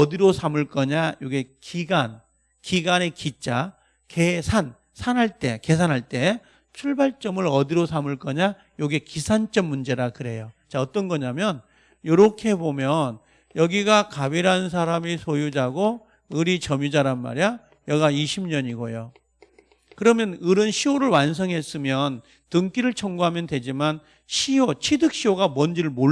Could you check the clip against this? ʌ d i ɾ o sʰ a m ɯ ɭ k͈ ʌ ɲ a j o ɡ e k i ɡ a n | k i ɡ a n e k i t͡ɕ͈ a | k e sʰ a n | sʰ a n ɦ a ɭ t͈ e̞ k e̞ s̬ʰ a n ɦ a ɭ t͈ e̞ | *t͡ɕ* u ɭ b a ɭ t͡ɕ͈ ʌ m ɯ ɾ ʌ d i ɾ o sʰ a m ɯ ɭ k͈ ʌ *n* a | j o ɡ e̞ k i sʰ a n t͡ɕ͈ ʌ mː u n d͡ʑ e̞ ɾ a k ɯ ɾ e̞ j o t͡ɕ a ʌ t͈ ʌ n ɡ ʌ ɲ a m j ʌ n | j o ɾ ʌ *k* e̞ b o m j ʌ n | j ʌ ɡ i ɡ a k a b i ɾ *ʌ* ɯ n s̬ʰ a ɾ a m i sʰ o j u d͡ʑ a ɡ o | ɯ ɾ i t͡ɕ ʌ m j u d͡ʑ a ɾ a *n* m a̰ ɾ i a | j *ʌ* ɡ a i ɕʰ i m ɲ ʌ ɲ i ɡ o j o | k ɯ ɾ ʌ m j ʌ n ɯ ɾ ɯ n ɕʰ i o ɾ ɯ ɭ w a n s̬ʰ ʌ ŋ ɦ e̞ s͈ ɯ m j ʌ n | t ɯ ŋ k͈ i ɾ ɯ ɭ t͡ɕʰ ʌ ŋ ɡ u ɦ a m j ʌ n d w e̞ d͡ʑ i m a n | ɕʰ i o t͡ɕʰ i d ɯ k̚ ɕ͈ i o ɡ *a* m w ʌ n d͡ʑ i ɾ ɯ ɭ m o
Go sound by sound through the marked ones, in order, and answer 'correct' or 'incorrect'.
incorrect: t͡ɕʰ, incorrect: ɲ, incorrect: kʰ, incorrect: a, correct, correct, correct

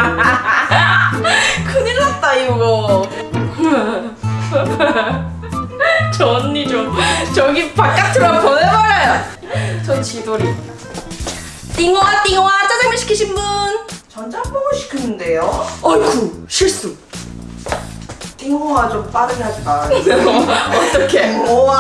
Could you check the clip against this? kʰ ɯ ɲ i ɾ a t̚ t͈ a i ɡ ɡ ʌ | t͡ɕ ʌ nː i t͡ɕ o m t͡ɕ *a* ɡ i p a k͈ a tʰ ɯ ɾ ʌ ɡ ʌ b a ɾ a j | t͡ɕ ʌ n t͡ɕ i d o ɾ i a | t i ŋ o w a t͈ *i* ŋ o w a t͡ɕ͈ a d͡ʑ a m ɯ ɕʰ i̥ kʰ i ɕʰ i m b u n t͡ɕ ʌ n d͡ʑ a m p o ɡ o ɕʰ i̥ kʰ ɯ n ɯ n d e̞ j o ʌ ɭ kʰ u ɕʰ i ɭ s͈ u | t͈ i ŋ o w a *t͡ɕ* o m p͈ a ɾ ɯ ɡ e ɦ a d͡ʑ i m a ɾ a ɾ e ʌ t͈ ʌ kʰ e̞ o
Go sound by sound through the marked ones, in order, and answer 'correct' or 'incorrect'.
incorrect: ʌ, correct, correct

